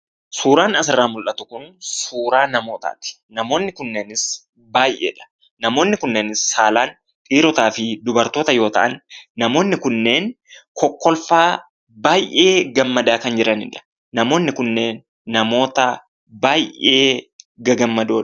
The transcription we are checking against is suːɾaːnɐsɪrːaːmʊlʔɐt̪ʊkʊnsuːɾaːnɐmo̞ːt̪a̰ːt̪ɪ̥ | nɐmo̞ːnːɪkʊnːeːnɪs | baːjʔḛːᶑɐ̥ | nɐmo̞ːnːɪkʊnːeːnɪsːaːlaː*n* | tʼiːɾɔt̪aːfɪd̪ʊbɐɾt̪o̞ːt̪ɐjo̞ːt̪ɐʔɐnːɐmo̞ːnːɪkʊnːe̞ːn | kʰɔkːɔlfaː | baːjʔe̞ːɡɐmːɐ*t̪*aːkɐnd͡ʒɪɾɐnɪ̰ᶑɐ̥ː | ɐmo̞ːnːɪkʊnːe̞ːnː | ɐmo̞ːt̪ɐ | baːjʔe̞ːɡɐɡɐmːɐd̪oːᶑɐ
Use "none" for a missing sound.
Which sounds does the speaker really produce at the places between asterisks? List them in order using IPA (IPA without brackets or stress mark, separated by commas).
n, d̪